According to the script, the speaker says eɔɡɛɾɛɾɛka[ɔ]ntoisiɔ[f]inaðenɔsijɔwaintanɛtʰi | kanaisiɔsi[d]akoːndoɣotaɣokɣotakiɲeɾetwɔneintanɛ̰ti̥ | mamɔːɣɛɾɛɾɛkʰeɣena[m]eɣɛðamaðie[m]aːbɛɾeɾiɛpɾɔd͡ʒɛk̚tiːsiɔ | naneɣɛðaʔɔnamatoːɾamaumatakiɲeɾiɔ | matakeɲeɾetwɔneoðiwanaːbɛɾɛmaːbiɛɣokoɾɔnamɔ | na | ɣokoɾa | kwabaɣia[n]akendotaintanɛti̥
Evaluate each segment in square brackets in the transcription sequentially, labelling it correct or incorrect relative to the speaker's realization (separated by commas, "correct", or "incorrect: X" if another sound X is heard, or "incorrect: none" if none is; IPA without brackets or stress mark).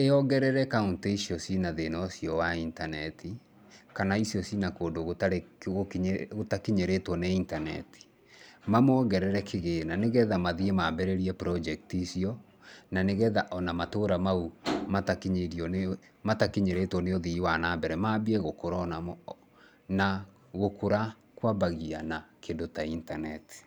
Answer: incorrect: u, incorrect: s, incorrect: n, incorrect: n, correct, correct